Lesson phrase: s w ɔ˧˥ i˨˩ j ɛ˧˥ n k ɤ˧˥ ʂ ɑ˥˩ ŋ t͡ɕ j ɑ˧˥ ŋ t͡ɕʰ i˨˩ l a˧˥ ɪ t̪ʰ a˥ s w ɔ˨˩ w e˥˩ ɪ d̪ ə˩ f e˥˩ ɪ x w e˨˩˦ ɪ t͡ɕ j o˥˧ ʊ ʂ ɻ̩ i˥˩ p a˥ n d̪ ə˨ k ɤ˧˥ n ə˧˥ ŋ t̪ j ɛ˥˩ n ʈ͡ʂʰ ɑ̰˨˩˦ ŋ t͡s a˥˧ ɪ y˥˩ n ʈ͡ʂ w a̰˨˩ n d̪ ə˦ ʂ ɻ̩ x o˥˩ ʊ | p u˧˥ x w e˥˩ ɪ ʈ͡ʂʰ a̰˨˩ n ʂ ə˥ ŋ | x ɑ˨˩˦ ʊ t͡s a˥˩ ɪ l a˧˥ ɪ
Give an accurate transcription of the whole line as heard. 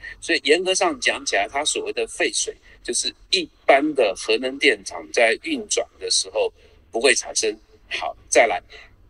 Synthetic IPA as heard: s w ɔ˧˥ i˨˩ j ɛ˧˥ n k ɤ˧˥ ʂ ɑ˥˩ ŋ t͡ɕ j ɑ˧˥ ŋ t͡ɕʰ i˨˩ l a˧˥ ɪ t̪ʰ a˥ s w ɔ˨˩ w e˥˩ ɪ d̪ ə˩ f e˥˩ ɪ ʂ w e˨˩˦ ɪ t͡ɕ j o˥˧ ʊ ʂ ɻ̩ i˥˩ p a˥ n d̪ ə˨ x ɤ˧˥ n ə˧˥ ŋ t̪ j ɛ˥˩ n ʈ͡ʂʰ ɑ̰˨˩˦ ŋ t͡s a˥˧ ɪ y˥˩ n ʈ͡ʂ w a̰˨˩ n d̪ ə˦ ʂ ɻ̩ x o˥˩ ʊ | p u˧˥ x w e˥˩ ɪ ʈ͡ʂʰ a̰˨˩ n ʂ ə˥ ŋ | x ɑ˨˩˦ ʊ t͡s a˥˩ ɪ l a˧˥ ɪ